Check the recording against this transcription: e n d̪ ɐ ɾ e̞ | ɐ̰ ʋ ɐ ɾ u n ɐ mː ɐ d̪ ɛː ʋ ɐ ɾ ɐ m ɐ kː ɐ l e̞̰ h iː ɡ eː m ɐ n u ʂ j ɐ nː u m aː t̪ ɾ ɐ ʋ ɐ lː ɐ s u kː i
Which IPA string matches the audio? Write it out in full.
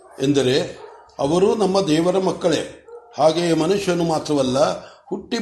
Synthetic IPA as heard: e n d̪ ɐ ɾ e̞ | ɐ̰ ʋ ɐ ɾ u n ɐ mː ɐ d̪ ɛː ʋ ɐ ɾ ɐ m ɐ kː ɐ ɭ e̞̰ h aː ɡ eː m ɐ n u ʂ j ɐ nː u m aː t̪ ɾ ɐ ʋ ɐ lː ɐ h u ʈː i